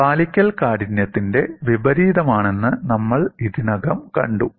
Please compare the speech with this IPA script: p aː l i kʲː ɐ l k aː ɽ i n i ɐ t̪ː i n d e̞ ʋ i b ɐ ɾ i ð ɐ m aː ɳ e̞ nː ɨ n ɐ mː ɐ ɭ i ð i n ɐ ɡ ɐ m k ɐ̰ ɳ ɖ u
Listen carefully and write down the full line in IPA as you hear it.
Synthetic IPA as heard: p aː l i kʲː ɐ l k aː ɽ i n j ɐ t̪ː i n d e̞ ʋ i b ɐ ɾ iː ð ɐ m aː ɳ e̞ nː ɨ n ɐ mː ɐ ɭ i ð i n ɐ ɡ ɐ m k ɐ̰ ɳ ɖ u